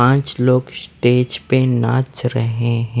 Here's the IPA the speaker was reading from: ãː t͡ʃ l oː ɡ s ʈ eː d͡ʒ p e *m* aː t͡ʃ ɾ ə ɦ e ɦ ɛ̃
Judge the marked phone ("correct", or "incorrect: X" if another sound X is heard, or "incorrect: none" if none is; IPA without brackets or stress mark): incorrect: n